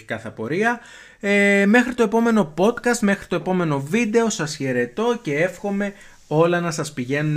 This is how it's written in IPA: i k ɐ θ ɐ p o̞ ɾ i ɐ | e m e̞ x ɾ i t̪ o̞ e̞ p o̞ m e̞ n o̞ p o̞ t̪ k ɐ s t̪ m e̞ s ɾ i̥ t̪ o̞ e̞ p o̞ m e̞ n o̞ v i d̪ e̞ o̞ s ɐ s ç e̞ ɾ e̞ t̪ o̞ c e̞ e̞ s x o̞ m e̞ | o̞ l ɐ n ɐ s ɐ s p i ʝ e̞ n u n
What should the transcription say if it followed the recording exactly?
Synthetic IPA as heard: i k ɐ θ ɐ p o̞ ɾ i ɐ | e m e̞ x ɾ i t̪ o̞ e̞ p o̞ m e̞ n o̞ p o̞ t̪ k ɐ s t̪ m e̞ x ɾ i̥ t̪ o̞ e̞ p o̞ m e̞ n o̞ v i d̪ e̞ o̞ s ɐ s ç e̞ ɾ e̞ t̪ o̞ c e̞ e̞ f x o̞ m e̞ | o̞ l ɐ n ɐ s ɐ s p i ʝ e̞ n u n